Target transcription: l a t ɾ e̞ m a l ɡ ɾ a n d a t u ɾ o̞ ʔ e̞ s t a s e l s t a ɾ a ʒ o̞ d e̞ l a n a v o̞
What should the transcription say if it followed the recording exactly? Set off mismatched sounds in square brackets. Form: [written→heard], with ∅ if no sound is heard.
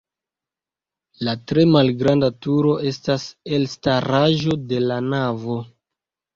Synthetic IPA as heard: l a t ɾ e̞ m a l ɡ ɾ a n d a t u ɾ o̞ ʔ e̞ s t a s e l s t a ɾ a ʒ o̞ d e̞ l a n a v o̞